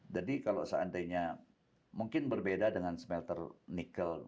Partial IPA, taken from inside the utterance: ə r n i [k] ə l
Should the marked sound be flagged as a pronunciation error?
no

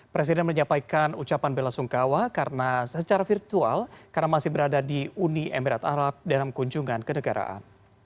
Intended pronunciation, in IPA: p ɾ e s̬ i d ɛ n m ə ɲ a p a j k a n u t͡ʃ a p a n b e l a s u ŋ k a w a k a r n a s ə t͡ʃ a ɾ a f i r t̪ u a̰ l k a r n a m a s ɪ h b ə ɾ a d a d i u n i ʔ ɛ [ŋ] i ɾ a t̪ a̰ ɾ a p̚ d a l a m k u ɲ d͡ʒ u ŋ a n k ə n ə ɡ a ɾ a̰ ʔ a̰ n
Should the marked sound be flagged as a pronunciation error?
yes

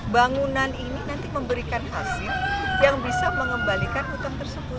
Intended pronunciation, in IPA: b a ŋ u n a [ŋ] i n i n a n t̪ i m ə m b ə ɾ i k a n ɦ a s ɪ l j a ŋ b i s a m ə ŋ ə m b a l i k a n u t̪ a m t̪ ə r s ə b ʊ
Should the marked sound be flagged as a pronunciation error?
yes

